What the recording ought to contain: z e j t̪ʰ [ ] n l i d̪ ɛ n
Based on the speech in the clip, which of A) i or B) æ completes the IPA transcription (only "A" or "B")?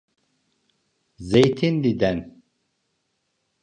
A